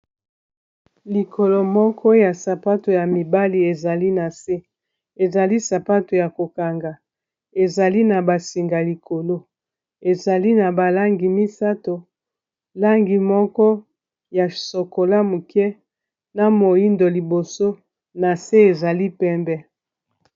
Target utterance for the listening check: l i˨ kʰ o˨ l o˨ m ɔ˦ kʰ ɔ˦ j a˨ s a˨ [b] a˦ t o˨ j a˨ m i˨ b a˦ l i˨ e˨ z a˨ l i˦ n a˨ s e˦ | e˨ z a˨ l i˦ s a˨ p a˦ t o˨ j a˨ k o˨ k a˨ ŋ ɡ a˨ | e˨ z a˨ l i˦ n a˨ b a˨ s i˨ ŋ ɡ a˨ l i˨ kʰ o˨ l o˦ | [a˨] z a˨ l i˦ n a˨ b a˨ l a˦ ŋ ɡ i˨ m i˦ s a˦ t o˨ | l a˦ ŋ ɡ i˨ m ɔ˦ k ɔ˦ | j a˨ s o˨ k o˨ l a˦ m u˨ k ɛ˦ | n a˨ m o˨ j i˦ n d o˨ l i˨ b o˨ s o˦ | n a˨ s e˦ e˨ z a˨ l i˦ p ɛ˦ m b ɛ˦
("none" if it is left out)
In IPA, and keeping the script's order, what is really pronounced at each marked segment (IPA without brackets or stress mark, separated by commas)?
p, e˨